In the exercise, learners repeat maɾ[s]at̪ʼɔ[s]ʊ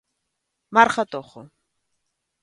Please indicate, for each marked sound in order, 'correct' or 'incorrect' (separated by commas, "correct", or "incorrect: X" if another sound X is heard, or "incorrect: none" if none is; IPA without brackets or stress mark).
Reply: incorrect: χ, incorrect: χ